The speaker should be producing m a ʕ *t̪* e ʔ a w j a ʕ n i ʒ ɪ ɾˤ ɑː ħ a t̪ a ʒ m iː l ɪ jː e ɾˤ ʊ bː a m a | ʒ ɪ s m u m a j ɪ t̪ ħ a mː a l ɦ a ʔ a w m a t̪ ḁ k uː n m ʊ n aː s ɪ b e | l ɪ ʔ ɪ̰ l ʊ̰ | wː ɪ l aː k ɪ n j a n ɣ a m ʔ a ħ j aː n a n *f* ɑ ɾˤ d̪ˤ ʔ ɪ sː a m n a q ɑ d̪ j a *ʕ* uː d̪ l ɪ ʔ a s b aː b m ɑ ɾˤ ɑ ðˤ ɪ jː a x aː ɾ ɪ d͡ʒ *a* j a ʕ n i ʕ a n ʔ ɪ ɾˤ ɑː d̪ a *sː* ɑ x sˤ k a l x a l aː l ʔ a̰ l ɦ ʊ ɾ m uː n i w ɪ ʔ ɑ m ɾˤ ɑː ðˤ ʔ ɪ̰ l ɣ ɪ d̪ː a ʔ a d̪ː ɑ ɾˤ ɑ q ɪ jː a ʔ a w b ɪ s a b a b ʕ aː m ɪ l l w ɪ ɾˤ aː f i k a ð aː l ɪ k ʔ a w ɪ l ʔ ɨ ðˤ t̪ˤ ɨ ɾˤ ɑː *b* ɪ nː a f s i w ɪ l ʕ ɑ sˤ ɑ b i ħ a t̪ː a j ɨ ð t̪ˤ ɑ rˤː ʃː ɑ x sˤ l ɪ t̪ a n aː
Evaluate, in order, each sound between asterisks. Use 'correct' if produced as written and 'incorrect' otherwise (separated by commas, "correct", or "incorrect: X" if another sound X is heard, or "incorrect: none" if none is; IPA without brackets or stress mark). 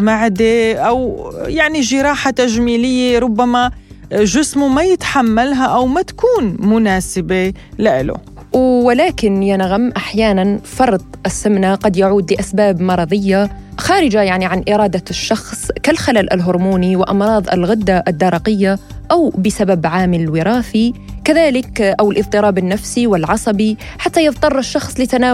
incorrect: d̪, correct, correct, correct, incorrect: ʃː, correct